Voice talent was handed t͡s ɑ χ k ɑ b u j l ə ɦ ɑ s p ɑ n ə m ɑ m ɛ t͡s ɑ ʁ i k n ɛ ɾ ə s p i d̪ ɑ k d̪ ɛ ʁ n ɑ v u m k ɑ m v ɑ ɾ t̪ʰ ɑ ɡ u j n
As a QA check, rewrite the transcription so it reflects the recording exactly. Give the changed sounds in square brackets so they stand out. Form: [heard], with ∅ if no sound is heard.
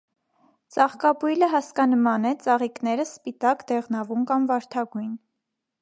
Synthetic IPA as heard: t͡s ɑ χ k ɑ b u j l ə ɦ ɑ s [k] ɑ n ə m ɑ [n] ɛ t͡s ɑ ʁ i k n ɛ ɾ ə s p i [t̪] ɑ k d̪ ɛ ʁ n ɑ v u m k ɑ m v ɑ ɾ t̪ʰ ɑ ɡ u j n